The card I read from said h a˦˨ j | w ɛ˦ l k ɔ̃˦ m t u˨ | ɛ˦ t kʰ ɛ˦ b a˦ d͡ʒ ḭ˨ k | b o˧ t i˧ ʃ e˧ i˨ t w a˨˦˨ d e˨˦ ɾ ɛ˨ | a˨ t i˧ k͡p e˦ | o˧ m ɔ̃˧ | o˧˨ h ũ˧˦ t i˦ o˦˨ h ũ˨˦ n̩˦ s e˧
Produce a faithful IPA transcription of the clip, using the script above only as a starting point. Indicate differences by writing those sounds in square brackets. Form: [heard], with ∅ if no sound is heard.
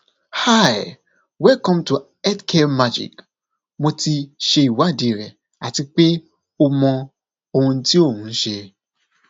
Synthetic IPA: h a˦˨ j | w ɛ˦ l k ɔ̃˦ m t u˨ | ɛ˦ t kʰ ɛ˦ [m] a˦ d͡ʒ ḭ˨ k | [m] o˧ t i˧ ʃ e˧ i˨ [∅] w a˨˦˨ d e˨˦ ɾ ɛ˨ | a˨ t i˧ k͡p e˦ | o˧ m ɔ̃˧ | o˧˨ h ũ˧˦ t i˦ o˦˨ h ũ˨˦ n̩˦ [ʃ] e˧